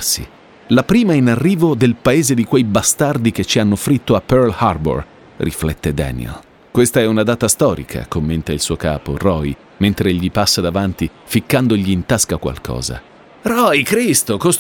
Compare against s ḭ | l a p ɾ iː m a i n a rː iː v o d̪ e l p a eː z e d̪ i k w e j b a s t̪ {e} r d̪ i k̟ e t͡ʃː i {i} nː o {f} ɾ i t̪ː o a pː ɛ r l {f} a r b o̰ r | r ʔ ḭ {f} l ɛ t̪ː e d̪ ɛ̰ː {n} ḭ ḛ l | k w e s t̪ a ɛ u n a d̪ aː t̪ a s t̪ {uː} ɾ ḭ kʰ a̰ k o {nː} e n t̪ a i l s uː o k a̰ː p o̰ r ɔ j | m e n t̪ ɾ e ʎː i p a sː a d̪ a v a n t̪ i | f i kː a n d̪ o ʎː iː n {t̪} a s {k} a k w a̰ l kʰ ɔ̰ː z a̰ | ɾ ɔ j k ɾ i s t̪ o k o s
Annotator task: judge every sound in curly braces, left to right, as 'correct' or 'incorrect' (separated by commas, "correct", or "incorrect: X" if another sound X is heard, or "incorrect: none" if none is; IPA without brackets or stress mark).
incorrect: a, incorrect: a, correct, incorrect: h, correct, correct, incorrect: ɔː, incorrect: mː, correct, correct